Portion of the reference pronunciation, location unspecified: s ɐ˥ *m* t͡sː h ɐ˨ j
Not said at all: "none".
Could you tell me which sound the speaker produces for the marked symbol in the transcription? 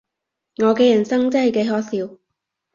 ŋ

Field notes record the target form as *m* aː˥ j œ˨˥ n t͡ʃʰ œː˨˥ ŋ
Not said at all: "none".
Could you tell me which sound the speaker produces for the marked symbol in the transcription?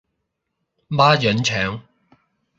m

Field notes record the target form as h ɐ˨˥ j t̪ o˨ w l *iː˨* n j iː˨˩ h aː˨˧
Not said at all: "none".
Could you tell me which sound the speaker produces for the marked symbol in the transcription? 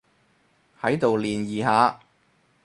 iː˨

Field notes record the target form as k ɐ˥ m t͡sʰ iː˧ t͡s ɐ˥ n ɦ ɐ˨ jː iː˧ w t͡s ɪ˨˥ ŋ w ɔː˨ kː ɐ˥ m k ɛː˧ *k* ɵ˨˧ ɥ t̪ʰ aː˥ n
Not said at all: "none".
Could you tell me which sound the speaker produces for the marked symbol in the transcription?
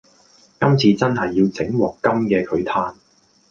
kʰ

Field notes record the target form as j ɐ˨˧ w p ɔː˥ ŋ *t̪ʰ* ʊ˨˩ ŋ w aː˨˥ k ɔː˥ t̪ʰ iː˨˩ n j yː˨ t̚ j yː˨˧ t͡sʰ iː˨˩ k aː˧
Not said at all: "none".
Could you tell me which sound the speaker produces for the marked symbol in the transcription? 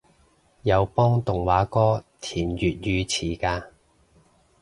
t̪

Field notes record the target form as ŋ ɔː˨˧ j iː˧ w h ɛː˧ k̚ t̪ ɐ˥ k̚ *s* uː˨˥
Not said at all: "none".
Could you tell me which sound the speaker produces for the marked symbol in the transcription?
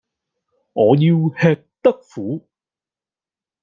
f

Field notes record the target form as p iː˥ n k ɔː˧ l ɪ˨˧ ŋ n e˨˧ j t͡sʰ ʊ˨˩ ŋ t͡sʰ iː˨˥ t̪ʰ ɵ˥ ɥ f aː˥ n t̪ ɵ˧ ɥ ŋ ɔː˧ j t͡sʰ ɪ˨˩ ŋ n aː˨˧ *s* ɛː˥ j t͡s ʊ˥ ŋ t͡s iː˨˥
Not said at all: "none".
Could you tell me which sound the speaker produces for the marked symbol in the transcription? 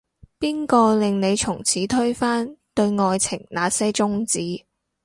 s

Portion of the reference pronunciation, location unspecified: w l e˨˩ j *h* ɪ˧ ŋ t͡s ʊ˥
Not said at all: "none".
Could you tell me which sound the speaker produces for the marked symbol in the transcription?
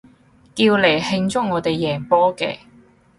h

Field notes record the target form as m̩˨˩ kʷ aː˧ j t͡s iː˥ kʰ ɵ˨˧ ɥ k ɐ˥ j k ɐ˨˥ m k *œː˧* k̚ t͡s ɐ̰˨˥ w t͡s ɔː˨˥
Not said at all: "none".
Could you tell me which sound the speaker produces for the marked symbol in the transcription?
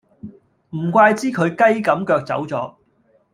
œː˧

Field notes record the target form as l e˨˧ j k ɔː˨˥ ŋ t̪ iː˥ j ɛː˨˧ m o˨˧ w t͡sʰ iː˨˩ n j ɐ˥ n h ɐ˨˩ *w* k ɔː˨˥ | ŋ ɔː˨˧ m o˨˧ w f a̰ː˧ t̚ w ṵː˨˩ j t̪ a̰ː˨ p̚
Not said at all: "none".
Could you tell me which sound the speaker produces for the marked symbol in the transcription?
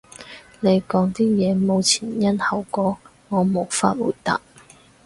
w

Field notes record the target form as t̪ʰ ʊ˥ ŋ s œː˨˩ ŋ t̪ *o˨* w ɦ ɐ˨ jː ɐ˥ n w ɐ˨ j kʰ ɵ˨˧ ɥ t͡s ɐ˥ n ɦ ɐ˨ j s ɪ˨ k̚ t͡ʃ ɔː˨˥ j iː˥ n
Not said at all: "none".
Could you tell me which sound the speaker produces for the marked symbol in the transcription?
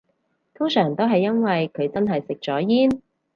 o˥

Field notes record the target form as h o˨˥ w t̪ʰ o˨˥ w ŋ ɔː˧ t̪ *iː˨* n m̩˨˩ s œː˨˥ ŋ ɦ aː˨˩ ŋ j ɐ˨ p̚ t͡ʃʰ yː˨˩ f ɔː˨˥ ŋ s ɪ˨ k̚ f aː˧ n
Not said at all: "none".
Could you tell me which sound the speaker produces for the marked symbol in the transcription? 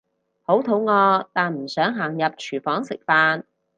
aː˨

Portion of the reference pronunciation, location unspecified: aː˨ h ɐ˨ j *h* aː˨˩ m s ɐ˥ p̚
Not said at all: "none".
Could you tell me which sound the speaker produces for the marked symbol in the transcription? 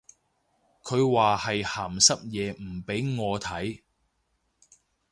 h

